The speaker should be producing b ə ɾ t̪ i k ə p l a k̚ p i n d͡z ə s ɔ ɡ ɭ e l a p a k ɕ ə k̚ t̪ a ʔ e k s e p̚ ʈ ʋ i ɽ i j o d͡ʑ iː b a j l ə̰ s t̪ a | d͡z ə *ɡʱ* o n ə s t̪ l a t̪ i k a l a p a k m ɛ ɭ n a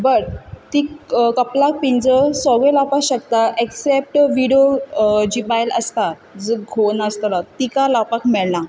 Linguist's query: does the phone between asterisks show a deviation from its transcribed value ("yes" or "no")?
no